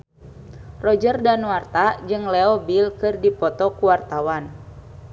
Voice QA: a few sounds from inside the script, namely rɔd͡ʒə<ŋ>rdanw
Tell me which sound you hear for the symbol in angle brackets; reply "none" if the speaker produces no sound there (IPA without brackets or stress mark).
none